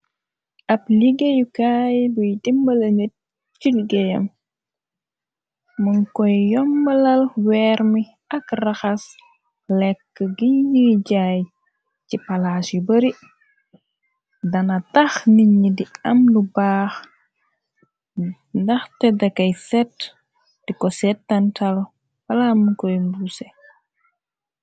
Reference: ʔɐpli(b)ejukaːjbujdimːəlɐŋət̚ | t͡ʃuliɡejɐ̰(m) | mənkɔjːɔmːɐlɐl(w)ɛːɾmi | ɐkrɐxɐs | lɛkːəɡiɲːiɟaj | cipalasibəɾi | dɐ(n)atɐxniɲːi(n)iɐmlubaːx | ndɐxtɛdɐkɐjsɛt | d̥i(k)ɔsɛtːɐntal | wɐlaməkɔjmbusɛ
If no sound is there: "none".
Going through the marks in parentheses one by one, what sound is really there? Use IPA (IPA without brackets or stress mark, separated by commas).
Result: ɡ, m, w, n, d, k